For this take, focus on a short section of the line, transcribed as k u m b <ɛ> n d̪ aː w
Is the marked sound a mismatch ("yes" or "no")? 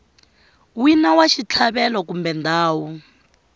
no